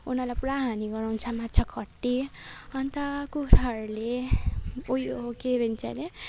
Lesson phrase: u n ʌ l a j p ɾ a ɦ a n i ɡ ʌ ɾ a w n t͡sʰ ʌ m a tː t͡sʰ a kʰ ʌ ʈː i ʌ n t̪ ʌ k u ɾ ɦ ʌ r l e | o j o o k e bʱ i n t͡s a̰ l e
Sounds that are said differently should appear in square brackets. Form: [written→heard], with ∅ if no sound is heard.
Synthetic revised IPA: u n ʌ l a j p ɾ a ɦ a n i ɡ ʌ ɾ a w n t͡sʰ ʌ m a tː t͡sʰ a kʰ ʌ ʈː i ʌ n t̪ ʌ k u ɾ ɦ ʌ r l e | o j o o k e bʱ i n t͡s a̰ l e